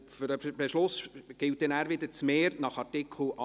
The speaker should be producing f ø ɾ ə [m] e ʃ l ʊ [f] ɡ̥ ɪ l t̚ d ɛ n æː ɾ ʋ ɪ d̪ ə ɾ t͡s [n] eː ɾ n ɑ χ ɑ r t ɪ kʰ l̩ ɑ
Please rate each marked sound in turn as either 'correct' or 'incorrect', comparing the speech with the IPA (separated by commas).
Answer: incorrect, incorrect, incorrect